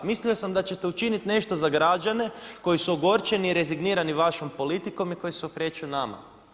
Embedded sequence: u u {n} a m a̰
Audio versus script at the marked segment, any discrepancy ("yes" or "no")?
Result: no